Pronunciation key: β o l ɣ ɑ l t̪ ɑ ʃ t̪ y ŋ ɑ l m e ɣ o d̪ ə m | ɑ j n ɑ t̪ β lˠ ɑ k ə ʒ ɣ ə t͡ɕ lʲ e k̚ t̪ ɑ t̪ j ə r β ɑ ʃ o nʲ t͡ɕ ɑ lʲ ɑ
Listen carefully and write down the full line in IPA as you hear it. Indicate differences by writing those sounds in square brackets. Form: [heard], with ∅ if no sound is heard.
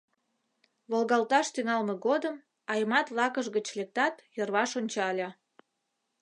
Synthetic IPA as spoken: β o l ɣ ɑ l t̪ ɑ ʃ t̪ y ŋ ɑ l m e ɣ o d̪ ə m | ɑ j [m] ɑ t̪ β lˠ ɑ k ə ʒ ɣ ə t͡ɕ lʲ e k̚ t̪ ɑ t̪ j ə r β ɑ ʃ o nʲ t͡ɕ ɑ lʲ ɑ